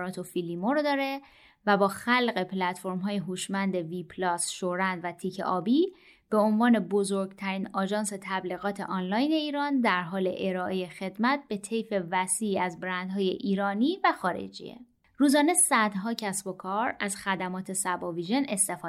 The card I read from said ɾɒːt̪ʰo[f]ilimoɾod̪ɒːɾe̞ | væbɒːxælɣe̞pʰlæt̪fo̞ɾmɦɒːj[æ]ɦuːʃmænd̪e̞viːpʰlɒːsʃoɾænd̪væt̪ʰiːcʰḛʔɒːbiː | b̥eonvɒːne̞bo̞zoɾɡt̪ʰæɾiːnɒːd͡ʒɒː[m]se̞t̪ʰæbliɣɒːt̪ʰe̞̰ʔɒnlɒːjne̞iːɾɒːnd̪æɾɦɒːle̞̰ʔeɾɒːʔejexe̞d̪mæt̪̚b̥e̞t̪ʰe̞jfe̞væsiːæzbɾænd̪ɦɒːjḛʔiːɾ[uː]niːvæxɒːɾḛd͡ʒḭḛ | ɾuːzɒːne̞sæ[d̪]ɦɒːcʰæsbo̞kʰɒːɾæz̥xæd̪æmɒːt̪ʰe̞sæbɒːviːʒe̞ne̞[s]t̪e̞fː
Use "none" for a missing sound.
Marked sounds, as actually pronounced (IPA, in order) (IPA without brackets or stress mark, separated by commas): f, e, n, ɒː, d̪, s